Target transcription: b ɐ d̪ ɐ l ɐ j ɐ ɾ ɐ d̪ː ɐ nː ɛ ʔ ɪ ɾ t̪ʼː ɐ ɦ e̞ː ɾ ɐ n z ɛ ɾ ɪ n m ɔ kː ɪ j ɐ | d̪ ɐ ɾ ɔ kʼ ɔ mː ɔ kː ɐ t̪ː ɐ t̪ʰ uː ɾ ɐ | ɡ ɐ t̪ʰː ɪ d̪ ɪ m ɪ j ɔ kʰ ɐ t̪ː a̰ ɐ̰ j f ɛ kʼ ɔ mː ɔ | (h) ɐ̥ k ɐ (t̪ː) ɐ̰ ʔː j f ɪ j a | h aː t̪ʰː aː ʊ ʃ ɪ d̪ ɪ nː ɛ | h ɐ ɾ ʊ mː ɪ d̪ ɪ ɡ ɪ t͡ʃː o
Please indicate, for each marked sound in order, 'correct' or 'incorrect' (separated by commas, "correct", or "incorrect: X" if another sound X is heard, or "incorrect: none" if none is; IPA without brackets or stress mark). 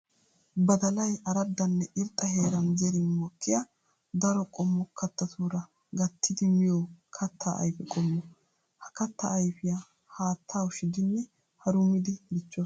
correct, correct